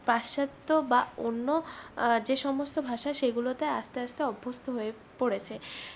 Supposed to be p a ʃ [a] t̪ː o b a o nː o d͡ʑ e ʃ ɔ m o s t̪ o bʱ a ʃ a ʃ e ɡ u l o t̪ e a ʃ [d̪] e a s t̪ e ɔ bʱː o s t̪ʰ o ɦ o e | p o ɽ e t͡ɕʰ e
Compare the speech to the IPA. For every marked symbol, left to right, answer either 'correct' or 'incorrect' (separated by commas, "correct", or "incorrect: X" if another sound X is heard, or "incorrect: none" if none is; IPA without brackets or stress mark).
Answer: correct, incorrect: t̪